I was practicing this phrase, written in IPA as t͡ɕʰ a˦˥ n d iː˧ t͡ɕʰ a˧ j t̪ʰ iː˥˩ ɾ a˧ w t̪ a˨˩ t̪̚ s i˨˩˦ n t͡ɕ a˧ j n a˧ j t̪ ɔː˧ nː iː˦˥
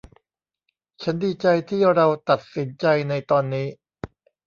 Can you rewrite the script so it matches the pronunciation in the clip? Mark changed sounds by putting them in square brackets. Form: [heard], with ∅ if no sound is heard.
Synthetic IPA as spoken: t͡ɕʰ a˦˥ n d iː˧ [t͡ɕ] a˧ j t̪ʰ iː˥˩ ɾ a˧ w t̪ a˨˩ t̪̚ s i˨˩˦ n t͡ɕ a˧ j n a˧ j t̪ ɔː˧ nː iː˦˥

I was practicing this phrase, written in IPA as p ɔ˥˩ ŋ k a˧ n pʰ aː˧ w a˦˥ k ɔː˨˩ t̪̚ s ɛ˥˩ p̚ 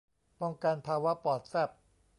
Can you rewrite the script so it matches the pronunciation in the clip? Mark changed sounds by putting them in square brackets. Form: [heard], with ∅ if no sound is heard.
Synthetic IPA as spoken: p [ɔ˧] ŋ k a˧ n pʰ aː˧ w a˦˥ [p] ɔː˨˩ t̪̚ s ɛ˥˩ p̚

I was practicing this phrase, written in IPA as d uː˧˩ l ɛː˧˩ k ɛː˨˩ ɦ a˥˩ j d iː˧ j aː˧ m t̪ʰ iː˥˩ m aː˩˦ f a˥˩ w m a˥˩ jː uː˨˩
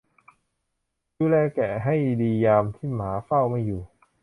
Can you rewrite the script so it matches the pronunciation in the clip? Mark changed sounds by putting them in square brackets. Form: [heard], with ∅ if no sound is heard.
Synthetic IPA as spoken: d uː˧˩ l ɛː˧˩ k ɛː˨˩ ɦ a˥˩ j d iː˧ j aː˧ m t̪ʰ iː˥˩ m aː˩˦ f a˥˩ w m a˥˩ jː uː˨˩

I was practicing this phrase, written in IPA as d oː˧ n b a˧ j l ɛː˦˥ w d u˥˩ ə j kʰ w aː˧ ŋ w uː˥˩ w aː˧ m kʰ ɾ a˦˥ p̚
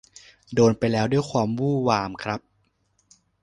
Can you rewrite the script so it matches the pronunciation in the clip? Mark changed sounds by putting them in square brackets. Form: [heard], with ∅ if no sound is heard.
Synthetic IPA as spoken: d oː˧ n [p] a˧ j l ɛː˦˥ w d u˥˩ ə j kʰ w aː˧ [m] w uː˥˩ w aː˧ m kʰ ɾ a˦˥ p̚

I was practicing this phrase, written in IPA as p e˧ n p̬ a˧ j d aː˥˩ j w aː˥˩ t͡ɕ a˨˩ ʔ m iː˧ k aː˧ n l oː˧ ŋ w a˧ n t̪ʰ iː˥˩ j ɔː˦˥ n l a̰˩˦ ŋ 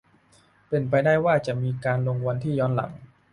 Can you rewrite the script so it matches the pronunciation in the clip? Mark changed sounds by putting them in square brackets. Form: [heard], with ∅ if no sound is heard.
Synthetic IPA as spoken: p e˧ n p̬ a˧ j d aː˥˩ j w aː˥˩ t͡ɕ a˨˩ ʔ m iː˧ k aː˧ n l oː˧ ŋ w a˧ n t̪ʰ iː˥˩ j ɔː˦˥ n l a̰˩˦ ŋ

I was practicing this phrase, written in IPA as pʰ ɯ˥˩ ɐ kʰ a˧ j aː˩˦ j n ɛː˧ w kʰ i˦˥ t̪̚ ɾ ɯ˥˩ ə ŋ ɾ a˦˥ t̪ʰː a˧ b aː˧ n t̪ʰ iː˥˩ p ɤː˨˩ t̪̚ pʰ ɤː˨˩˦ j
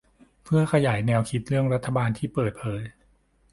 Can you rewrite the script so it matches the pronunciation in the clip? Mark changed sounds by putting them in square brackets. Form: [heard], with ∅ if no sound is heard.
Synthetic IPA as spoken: pʰ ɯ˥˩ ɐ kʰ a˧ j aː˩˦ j n ɛː˧ w kʰ i˦˥ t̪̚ ɾ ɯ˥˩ ə ŋ ɾ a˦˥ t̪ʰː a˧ b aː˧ n t̪ʰ iː˥˩ p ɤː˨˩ t̪̚ pʰ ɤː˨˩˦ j

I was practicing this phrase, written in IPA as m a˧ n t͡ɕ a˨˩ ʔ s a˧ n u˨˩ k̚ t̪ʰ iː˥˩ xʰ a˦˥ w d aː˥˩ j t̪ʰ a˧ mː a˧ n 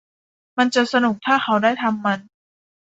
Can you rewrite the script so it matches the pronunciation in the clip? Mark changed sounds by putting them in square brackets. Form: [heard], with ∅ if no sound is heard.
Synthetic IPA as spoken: m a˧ n t͡ɕ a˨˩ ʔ s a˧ n u˨˩ k̚ t̪ʰ [aː˥˩] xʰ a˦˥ w d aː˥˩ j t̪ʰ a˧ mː a˧ n

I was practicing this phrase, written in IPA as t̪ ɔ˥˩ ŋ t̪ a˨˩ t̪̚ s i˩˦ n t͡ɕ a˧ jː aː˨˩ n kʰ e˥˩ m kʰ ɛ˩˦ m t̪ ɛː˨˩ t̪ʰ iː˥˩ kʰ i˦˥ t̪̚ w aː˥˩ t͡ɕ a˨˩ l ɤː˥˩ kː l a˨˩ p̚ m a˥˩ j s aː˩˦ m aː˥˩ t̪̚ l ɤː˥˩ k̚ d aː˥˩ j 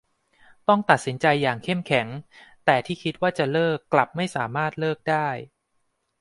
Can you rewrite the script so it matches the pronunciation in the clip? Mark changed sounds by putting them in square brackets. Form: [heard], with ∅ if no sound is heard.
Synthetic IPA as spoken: t̪ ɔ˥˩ ŋ t̪ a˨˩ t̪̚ s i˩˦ n t͡ɕ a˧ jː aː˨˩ [ŋ] kʰ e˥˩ m kʰ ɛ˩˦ [ŋ] t̪ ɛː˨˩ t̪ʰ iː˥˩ kʰ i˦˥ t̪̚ w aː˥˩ t͡ɕ a˨˩ l ɤː˥˩ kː l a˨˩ p̚ m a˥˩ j s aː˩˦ m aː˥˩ t̪̚ l ɤː˥˩ k̚ d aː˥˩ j

